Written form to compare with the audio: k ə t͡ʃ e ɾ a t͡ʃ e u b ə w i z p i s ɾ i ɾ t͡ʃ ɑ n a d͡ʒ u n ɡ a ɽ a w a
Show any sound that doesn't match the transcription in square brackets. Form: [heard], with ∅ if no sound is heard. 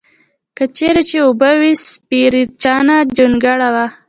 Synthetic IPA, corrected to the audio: k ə t͡ʃ e ɾ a t͡ʃ e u b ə w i [s] p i [∅] ɾ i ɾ t͡ʃ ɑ n a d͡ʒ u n ɡ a ɽ a w a